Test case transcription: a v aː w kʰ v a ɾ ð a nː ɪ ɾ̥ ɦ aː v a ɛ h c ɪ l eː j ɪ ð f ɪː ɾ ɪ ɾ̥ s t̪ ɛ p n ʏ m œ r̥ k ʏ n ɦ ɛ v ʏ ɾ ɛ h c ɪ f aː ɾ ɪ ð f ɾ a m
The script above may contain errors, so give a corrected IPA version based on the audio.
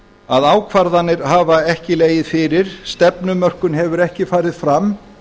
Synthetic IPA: a ð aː w kʰ v a ɾ ð a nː ɪ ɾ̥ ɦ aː v a ɛ h c ɪ l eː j ɪ ð f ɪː ɾ ɪ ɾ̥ s t̪ ɛ p n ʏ m œ r̥ k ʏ n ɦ ɛ v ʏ ɾ ɛ h c ɪ f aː ɾ ɪ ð f ɾ a m